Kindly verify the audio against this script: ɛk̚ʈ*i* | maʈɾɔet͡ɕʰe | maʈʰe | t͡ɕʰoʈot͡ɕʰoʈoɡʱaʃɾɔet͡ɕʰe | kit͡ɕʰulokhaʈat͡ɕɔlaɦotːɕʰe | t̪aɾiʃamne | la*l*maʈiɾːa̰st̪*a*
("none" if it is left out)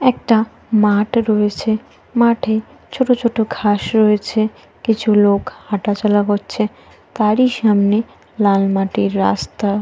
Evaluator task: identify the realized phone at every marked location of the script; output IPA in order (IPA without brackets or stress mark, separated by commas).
a, l, a